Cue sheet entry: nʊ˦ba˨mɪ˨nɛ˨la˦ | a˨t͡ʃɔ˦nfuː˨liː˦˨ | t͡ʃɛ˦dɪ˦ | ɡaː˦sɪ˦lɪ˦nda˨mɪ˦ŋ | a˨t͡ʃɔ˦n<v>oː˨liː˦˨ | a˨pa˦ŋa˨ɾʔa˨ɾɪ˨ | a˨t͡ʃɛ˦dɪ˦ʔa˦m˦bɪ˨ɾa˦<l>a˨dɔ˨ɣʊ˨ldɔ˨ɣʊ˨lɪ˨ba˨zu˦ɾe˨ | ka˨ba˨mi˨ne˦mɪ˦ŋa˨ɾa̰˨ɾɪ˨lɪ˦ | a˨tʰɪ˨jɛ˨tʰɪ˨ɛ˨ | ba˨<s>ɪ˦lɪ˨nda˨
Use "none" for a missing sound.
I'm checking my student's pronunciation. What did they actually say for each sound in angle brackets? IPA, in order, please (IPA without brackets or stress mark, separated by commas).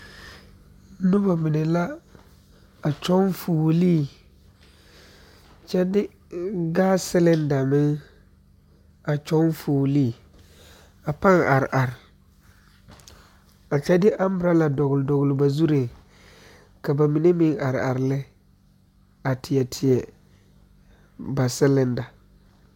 f, l, s